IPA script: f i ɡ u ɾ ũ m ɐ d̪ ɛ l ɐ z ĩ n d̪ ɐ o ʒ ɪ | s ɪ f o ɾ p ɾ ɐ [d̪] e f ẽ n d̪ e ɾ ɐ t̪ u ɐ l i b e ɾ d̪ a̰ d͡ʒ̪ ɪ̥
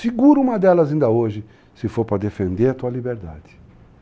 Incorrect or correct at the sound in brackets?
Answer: correct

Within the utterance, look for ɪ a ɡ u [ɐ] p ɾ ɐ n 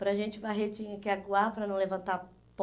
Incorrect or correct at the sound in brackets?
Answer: incorrect: a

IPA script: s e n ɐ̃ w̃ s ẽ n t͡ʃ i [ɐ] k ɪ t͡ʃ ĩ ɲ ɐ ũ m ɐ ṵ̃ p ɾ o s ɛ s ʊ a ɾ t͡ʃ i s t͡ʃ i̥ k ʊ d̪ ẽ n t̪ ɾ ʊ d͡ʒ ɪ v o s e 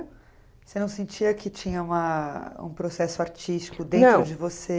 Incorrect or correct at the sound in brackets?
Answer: correct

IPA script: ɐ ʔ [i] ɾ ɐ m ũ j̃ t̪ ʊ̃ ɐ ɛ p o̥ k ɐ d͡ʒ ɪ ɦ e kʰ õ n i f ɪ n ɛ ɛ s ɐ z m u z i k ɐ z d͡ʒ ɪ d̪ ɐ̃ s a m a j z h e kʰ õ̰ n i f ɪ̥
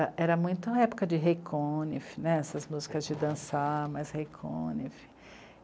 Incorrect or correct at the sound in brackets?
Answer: incorrect: ɛ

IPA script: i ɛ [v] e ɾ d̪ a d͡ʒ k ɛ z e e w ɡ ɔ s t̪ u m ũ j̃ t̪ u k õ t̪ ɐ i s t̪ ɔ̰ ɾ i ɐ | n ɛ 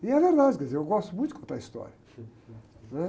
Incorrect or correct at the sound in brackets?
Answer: correct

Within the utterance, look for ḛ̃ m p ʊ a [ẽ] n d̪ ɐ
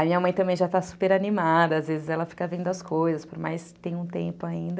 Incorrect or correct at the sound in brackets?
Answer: incorrect: ĩ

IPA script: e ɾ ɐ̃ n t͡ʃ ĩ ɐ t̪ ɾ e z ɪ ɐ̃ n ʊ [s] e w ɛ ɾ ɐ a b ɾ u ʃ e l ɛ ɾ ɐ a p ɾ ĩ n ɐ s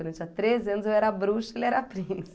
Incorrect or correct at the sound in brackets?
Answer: incorrect: z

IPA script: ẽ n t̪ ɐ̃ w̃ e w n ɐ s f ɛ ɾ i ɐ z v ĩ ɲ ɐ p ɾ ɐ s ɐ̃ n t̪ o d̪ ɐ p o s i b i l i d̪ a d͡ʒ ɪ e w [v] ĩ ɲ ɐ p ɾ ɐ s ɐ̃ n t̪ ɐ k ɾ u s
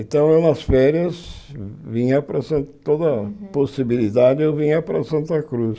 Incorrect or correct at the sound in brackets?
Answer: correct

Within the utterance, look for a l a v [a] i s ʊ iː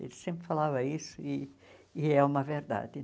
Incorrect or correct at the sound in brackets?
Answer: incorrect: ɐ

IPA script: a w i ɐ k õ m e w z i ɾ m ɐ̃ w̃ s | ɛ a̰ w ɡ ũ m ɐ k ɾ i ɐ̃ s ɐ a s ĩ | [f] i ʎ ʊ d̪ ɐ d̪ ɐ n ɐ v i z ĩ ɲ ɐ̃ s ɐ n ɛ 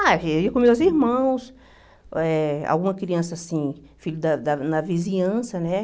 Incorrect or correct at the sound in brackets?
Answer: correct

